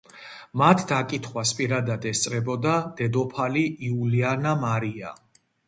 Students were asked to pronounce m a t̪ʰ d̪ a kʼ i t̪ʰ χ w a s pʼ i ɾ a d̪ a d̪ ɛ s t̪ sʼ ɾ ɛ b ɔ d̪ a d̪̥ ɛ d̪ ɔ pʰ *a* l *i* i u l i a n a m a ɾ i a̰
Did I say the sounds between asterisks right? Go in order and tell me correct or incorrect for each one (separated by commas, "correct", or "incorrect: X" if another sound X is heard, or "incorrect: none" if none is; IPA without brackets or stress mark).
correct, correct